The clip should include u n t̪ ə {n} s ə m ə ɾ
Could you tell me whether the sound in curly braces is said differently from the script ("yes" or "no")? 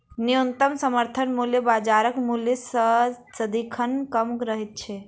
yes